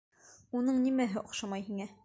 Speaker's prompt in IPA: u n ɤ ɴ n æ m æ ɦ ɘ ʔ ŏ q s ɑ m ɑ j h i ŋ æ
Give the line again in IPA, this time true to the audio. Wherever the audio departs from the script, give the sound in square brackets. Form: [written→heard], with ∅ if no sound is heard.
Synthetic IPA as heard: u n ɤ ɴ n [æ→i] m æ ɦ ɘ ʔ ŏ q [s→ʃ] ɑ m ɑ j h i ŋ æ